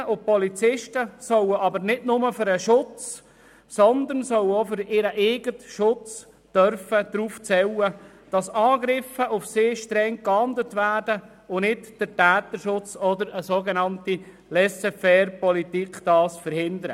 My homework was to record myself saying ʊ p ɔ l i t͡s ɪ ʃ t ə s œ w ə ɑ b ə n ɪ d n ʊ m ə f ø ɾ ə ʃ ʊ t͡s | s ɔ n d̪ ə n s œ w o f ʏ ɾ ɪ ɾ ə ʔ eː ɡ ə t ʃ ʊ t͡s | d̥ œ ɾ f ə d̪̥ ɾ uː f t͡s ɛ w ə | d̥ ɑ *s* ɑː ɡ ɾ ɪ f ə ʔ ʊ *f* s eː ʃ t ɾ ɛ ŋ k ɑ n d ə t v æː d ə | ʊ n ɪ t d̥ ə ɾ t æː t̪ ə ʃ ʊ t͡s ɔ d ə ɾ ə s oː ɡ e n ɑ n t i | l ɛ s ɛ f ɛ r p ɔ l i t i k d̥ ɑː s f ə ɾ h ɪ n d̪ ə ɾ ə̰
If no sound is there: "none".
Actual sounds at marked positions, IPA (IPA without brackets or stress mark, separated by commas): s, f